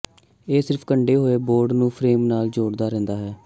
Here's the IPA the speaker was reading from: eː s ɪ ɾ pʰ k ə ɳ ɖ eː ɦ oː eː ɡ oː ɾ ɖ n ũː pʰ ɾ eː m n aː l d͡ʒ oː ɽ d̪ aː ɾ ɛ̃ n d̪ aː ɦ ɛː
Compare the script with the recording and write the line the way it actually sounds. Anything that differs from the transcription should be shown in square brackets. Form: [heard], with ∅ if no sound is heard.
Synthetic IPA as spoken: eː s ɪ ɾ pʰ k ə ɳ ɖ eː ɦ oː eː [b] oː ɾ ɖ n ũː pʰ ɾ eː m n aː l d͡ʒ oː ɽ d̪ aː ɾ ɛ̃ n d̪ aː ɦ ɛː

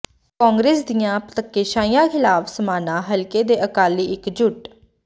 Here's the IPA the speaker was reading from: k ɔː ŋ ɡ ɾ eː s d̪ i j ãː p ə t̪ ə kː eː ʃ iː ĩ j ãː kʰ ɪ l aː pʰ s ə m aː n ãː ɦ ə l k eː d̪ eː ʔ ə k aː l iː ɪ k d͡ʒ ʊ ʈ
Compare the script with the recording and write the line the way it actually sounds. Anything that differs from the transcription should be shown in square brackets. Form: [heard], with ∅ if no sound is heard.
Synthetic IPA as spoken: k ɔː ŋ ɡ ɾ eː s d̪ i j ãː p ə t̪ ə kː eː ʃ [aː] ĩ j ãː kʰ ɪ l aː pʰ s ə m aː n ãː ɦ ə l k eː d̪ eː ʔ ə k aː l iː ɪ k d͡ʒ ʊ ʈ

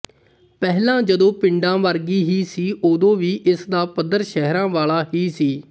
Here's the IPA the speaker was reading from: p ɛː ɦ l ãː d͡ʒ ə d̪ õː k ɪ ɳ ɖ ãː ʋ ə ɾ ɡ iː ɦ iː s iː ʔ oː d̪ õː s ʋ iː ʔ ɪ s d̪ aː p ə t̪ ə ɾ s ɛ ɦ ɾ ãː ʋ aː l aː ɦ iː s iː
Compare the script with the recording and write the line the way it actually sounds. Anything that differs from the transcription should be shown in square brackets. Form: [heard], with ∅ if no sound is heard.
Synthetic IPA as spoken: p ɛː ɦ l ãː d͡ʒ ə d̪ õː [p] ɪ ɳ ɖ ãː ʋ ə ɾ ɡ iː ɦ iː s iː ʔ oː d̪ õː [∅] ʋ iː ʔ ɪ s d̪ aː p ə [d̪] ə ɾ [ʃ] ɛ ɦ ɾ ãː ʋ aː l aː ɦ iː s iː

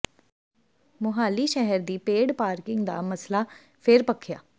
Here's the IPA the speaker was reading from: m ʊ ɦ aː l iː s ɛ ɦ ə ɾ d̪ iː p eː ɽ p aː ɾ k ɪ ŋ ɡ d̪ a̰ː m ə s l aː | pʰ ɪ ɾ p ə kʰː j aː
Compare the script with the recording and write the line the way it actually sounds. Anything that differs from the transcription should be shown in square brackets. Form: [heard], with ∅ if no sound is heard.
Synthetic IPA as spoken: m ʊ ɦ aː l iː [ʃ] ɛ ɦ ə ɾ d̪ iː p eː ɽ p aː ɾ k ɪ ŋ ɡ d̪ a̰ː m ə s l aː | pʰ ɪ ɾ p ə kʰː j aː

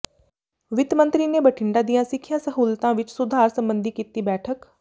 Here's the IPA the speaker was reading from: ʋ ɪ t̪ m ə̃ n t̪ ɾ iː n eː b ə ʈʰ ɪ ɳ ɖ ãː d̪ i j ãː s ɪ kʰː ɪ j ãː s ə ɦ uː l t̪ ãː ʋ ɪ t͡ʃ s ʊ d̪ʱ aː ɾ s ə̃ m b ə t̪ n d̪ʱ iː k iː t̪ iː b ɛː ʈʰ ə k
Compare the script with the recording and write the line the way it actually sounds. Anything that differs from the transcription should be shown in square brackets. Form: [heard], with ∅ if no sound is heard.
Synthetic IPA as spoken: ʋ ɪ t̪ m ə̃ n t̪ ɾ iː n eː b ə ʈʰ ɪ ɳ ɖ [aː] d̪ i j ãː s ɪ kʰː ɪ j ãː s ə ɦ uː l t̪ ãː ʋ ɪ t͡ʃ s ʊ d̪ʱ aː ɾ s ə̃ m b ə [∅] n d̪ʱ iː k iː t̪ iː b ɛː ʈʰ ə k

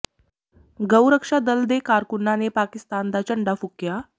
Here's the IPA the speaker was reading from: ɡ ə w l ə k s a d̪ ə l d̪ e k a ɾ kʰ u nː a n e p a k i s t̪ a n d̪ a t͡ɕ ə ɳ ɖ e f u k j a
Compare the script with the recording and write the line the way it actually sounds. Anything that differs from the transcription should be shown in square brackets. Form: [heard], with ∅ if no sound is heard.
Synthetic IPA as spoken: ɡ ə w [ɾ] ə k [ʂ] a d̪ ə l d̪ e k a ɾ [k] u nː a n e p a k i s t̪ a n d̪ a t͡ɕ ə ɳ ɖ [a] f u k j a

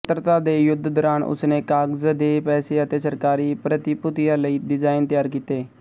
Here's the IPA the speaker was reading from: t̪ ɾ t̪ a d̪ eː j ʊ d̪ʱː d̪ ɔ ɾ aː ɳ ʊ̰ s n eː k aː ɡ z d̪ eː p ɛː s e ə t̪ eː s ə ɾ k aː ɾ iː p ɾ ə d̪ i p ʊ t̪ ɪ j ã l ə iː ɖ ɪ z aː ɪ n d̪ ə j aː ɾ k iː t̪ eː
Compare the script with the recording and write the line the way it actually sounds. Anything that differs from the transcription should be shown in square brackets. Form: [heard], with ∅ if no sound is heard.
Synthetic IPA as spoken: t̪ ɾ t̪ a d̪ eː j ʊ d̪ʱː d̪ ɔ ɾ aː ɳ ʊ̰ s n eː k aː ɡ z d̪ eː p ɛː s e ə t̪ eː s ə ɾ k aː ɾ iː p ɾ ə [t̪] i p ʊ t̪ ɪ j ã l ə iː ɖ ɪ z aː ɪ n [t̪] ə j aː ɾ k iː t̪ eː

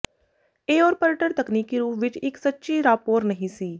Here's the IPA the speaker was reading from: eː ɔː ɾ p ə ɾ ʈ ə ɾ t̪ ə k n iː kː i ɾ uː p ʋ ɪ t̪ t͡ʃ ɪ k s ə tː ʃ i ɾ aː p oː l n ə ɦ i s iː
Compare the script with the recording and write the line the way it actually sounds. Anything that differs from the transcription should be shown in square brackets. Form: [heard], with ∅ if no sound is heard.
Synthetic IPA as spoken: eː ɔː ɾ p ə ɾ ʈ ə ɾ t̪ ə k n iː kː i ɾ uː p ʋ ɪ [∅] t͡ʃ ɪ k s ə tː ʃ i ɾ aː p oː [ɾ] n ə ɦ [ĩ] s iː

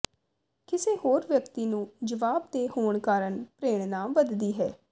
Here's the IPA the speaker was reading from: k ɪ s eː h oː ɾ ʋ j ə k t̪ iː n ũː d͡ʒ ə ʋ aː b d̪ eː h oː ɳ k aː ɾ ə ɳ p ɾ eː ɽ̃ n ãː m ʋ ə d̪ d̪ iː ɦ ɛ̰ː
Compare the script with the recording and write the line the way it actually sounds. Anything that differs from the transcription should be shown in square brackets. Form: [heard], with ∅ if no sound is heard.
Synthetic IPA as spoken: k ɪ s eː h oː ɾ ʋ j ə k t̪ iː n ũː d͡ʒ ə ʋ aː b d̪ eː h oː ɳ k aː ɾ ə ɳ p ɾ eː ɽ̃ n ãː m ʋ ə d̪ d̪ iː ɦ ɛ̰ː

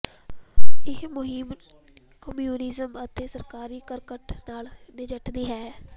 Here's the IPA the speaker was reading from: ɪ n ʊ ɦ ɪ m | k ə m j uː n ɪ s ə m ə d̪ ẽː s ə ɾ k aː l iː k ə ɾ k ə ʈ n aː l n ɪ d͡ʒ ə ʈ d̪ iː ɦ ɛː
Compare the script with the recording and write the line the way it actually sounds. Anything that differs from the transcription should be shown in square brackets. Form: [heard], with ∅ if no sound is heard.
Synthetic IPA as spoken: ɪ [m] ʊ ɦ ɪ m | k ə m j uː n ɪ [z] ə m ə [t̪] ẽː s ə ɾ k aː [ɾ] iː k ə ɾ k ə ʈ n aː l n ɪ d͡ʒ ə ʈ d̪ iː ɦ ɛː

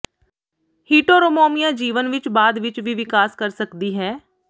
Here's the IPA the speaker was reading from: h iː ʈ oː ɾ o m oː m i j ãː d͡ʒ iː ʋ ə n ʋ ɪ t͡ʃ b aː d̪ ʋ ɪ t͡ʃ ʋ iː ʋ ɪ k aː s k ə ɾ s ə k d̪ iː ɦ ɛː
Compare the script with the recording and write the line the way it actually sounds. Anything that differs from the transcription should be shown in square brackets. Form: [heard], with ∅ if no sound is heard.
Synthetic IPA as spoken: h iː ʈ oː ɾ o m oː m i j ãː d͡ʒ iː ʋ ə n ʋ ɪ t͡ʃ b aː d̪ ʋ ɪ t͡ʃ ʋ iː ʋ ɪ k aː s k ə ɾ s ə k d̪ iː ɦ ɛː

